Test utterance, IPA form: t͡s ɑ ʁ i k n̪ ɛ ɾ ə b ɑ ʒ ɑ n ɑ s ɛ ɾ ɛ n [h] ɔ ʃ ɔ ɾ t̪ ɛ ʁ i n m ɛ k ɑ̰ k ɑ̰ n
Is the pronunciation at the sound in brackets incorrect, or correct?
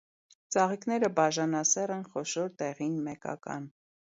incorrect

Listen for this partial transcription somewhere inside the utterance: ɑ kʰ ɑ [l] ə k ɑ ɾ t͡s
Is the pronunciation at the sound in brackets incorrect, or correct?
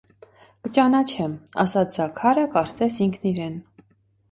incorrect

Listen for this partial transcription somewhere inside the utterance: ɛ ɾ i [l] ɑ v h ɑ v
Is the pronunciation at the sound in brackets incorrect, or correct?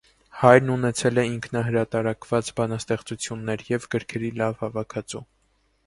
correct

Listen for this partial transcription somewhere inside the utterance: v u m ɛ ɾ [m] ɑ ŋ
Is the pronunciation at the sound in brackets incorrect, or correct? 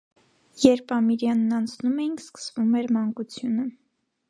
correct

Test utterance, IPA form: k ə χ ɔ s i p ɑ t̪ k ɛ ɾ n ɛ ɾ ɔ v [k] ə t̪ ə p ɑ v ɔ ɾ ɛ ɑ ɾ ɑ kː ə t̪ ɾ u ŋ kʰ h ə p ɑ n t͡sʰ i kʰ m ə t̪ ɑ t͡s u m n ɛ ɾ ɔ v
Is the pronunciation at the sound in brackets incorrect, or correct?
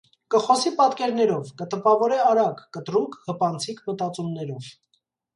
correct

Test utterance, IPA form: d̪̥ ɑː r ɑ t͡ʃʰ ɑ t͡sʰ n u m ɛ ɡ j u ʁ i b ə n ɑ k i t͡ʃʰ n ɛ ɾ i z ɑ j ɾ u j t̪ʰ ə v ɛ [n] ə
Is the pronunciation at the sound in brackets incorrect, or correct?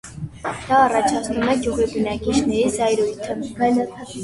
correct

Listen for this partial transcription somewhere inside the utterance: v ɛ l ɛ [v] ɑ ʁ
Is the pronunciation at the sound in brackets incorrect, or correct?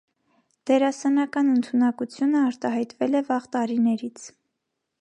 correct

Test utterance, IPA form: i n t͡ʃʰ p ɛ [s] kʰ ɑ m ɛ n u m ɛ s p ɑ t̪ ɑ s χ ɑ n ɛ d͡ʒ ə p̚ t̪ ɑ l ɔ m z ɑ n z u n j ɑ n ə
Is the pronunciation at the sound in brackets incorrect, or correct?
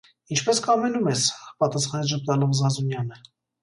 correct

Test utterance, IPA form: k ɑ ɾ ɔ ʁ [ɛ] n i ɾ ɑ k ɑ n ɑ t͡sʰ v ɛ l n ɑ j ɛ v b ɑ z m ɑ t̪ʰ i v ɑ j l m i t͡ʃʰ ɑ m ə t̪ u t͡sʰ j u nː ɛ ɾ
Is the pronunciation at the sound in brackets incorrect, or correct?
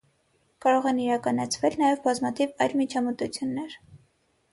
correct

